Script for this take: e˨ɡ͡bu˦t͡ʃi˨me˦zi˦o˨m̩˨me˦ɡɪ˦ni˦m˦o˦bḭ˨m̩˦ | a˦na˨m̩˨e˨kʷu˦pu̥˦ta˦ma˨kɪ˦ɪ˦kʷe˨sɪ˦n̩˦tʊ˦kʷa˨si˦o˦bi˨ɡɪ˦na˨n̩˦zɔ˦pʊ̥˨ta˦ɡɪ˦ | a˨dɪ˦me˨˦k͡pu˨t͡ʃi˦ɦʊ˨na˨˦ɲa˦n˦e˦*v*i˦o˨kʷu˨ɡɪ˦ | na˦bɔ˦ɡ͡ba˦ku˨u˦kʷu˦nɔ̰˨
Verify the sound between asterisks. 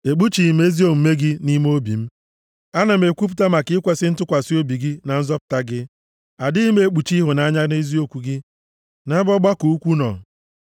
incorrect: z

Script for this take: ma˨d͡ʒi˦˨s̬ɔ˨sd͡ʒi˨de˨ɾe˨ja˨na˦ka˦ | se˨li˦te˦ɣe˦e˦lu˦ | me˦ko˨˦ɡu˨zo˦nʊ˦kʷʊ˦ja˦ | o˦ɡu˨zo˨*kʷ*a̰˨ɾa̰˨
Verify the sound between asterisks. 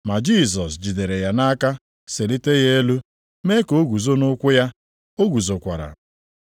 correct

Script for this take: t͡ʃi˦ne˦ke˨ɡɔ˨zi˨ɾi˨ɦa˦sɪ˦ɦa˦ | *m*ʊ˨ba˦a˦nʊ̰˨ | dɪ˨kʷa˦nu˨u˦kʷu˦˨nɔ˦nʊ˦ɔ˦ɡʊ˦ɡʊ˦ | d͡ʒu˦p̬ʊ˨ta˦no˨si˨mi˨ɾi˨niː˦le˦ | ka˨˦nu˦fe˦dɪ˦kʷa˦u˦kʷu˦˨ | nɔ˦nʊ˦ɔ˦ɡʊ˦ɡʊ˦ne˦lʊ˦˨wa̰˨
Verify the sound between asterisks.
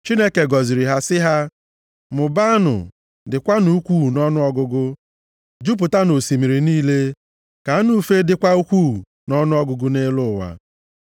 correct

